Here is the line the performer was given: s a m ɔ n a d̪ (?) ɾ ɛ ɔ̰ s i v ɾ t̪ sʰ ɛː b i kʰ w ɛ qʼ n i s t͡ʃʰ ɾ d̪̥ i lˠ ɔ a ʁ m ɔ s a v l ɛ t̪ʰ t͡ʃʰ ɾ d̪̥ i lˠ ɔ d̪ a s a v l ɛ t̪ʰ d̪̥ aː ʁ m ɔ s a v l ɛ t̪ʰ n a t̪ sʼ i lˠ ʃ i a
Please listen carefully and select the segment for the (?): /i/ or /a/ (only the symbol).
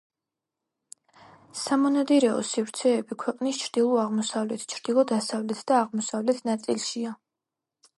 i